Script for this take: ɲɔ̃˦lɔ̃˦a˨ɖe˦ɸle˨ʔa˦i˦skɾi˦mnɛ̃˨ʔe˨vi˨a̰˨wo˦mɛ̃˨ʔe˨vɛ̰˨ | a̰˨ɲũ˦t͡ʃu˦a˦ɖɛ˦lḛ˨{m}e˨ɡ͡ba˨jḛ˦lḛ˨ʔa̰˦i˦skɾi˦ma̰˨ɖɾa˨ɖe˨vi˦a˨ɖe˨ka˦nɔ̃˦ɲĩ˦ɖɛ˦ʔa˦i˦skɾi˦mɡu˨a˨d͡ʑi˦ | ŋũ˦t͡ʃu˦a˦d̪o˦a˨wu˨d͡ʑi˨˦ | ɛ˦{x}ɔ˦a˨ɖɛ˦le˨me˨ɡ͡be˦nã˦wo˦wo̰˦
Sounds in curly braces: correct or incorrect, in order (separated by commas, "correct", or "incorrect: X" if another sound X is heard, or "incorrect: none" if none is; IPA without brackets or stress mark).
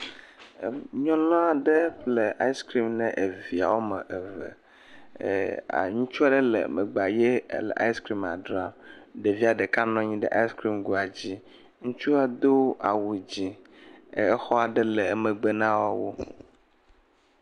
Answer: correct, correct